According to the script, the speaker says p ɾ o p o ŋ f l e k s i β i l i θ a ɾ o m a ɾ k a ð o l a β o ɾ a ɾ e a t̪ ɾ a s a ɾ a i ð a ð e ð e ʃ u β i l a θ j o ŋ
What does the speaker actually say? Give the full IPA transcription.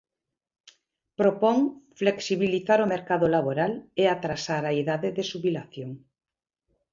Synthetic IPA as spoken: p ɾ o p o ŋ f l e k s i β i l i θ a ɾ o m e ɾ k a ð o l a β o ɾ a l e a t̪ ɾ a s a ɾ a i ð a ð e ð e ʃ u β i l a θ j o ŋ